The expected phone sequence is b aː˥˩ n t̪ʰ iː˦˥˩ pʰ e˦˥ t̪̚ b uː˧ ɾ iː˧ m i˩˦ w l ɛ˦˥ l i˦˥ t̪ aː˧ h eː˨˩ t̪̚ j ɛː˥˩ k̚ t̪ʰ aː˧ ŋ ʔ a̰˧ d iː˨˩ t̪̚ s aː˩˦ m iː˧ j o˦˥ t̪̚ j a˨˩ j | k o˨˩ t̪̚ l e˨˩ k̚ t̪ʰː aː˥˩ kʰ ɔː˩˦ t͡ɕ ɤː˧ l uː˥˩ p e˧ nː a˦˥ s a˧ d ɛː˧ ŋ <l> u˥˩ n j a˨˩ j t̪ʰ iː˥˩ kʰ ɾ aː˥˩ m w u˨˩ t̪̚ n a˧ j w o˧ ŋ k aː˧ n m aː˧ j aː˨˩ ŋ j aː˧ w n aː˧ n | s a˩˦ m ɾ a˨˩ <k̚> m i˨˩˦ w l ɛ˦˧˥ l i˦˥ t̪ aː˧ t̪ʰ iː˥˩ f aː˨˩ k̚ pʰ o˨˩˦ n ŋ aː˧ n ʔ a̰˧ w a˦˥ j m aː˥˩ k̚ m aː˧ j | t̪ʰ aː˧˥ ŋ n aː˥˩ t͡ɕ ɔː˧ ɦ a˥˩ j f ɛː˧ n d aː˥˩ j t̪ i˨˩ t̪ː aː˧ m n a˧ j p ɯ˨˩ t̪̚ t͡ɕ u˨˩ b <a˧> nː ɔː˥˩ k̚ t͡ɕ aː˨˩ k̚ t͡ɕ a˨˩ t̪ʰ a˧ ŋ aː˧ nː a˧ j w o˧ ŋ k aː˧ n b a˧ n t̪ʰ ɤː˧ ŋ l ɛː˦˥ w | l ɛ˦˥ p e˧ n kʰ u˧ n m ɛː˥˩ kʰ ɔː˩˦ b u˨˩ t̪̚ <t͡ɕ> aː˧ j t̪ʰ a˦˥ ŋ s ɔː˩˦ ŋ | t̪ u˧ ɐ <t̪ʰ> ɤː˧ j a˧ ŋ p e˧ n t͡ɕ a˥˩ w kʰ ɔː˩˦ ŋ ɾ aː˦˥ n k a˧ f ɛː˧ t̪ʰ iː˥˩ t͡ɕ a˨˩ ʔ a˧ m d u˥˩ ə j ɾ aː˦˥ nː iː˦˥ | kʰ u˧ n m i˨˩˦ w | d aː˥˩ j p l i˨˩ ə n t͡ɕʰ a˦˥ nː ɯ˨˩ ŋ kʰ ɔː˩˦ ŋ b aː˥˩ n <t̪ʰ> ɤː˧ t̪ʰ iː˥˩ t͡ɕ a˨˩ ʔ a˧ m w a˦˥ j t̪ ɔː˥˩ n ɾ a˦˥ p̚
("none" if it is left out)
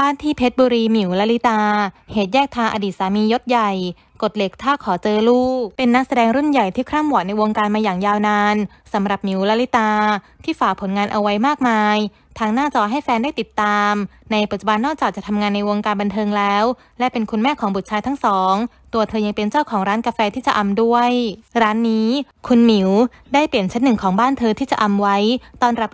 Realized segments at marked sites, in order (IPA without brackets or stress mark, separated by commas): ɾ, p̚, a˧, t͡ɕʰ, t̪ʰ, t̪ʰ